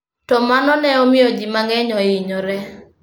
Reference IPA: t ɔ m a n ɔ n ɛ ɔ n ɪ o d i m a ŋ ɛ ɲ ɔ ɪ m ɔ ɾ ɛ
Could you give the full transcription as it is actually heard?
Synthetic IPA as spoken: t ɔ m a n ɔ n ɛ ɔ m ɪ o d͡ʒ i m a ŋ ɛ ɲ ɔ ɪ ɲ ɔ ɾ ɛ